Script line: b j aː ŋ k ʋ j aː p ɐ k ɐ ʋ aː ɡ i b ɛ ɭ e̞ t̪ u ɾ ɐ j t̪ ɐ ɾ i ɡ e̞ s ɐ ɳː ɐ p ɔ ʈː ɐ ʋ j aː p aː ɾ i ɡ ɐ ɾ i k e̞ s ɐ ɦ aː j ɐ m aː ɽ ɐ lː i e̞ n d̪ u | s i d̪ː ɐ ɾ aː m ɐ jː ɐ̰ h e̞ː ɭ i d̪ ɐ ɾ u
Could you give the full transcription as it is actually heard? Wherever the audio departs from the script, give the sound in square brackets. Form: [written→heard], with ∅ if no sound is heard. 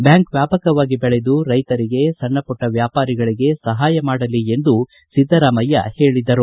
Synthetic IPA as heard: b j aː ŋ k ʋ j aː p ɐ k ɐ ʋ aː ɡ i b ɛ ɭ e̞ [t̪→d̪] u ɾ ɐ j t̪ ɐ ɾ i ɡ e̞ s ɐ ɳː ɐ p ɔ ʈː ɐ ʋ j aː p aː ɾ i ɡ ɐ [ɾ→ɭ] i [k→ɡ] e̞ s ɐ ɦ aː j ɐ m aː ɽ ɐ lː i e̞ n d̪ u | s i d̪ː ɐ ɾ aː m ɐ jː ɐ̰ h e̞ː ɭ i d̪ ɐ ɾ u